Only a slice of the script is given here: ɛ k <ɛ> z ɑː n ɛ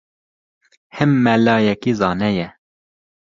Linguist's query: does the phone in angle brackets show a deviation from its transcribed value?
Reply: yes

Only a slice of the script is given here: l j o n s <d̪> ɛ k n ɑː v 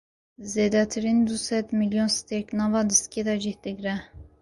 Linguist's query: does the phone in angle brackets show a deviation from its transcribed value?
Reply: yes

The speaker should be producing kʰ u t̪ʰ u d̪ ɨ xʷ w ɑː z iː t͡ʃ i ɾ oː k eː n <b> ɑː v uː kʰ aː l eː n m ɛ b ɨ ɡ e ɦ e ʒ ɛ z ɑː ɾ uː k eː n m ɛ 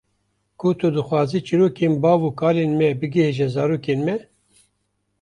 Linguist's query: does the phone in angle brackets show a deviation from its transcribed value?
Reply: no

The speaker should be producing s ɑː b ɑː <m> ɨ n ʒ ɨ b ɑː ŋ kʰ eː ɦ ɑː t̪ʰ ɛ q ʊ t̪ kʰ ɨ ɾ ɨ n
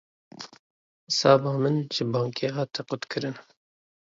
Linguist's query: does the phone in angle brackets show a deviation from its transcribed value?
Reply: no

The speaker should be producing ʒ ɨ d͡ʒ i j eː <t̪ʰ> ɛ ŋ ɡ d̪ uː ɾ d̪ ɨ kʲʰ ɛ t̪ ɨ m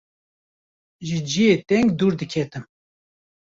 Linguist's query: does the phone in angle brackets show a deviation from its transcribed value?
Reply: yes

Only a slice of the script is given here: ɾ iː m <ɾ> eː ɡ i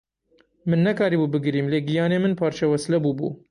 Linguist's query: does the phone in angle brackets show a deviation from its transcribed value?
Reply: yes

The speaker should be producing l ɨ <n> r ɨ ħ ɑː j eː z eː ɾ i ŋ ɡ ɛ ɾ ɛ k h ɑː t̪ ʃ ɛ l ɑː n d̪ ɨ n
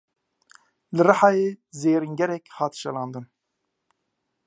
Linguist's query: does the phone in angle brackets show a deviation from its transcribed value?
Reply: yes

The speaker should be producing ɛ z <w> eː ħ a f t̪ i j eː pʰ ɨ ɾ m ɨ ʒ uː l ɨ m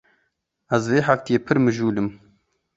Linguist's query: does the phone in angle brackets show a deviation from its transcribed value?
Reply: yes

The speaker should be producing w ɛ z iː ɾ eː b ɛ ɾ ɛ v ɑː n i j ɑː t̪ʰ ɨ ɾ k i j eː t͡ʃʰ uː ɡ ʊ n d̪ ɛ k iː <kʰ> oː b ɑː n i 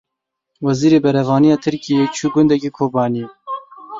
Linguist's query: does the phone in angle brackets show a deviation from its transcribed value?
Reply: no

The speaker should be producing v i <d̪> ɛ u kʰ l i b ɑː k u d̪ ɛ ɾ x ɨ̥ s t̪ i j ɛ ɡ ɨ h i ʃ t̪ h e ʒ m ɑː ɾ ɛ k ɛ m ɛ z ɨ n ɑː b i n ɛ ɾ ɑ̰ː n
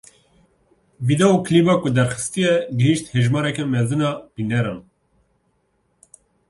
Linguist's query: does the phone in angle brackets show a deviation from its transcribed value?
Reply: no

